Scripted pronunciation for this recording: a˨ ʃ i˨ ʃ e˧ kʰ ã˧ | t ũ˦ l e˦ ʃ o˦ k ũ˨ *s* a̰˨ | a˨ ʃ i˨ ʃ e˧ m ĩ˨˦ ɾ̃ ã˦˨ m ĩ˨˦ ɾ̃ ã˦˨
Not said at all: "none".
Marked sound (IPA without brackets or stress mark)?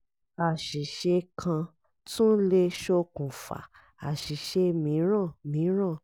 f